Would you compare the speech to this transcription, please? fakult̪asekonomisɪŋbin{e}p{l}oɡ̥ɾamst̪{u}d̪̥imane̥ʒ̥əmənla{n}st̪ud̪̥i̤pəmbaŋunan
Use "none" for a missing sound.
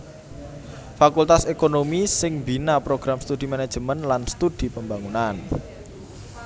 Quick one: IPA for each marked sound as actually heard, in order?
a, ɾ, u, n

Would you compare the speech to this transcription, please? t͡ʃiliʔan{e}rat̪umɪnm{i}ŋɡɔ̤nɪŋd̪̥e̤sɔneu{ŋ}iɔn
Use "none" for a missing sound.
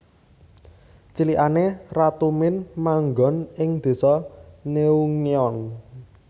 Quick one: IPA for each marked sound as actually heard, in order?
e, a, ŋ

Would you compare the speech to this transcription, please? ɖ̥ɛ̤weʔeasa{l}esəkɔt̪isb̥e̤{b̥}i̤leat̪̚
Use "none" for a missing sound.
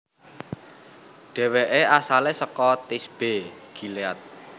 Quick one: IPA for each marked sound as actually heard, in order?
l, ɡ̥

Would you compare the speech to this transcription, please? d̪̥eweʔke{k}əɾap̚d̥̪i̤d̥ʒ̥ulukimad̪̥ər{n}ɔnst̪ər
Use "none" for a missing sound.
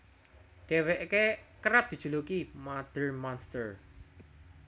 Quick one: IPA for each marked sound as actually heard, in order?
k, m

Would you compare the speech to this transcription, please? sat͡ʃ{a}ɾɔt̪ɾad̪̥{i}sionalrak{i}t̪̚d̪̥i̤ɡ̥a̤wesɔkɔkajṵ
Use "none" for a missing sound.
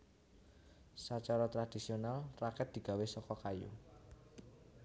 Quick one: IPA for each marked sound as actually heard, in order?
a, i, ɛ

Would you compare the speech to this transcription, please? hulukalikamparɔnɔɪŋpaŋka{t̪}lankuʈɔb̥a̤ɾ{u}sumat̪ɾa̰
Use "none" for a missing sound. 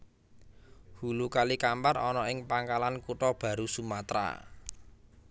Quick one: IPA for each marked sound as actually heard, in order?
none, u

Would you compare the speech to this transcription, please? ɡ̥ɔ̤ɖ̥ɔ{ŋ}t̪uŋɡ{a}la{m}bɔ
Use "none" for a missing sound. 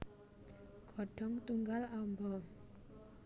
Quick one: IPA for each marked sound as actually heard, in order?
ŋ, a, m

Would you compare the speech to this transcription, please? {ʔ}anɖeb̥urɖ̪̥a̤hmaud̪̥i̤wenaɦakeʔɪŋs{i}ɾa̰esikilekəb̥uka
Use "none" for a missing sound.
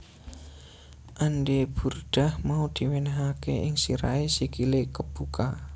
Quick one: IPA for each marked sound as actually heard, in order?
ʔ, i

